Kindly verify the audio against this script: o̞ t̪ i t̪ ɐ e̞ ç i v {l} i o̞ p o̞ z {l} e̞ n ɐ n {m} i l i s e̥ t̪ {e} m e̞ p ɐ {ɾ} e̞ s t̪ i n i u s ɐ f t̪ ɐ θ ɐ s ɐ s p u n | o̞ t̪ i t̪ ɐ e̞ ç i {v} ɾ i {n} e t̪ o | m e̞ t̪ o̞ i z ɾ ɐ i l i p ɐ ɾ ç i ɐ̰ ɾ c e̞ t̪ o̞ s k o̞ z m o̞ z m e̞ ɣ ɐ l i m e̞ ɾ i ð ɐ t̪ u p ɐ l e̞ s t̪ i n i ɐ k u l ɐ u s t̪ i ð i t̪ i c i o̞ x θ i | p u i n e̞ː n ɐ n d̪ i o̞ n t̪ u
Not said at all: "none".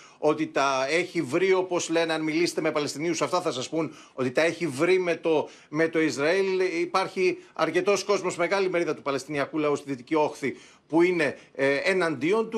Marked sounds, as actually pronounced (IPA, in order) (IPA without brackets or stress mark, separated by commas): ɾ, l, m, e, l, v, m